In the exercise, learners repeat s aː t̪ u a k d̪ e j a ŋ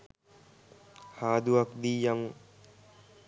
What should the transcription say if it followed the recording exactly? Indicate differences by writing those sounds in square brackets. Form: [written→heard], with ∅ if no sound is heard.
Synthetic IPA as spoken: [s→h] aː [t̪→d̪] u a k d̪ [e→i] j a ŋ